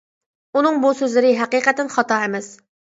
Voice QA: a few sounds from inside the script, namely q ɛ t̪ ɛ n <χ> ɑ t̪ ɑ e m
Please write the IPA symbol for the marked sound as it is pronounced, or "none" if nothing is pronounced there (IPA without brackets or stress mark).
χ